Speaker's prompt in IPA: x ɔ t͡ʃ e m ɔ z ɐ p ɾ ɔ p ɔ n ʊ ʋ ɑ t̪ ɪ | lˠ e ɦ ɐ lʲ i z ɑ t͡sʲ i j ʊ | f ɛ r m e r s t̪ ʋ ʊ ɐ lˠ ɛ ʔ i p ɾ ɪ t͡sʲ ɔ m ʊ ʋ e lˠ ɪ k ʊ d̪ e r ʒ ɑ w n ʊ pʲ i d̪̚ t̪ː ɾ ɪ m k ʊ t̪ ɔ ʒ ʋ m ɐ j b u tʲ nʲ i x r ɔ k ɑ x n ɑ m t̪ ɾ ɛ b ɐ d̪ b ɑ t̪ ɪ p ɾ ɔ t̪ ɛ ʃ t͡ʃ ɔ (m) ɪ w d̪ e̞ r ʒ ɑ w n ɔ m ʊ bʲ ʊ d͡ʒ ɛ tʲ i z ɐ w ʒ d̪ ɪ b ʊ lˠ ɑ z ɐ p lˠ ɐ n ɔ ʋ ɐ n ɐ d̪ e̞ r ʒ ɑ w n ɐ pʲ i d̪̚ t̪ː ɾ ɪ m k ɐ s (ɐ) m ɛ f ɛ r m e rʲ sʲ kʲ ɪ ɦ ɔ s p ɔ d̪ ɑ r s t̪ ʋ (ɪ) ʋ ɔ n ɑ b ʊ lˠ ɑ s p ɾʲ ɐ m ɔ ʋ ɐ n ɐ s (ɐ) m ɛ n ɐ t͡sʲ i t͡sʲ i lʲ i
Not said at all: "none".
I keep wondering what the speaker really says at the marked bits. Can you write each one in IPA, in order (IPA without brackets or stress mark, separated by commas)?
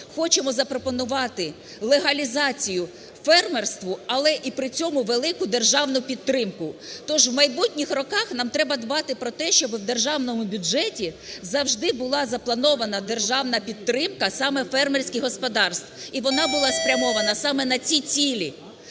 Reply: b, ɑ, i, ɑ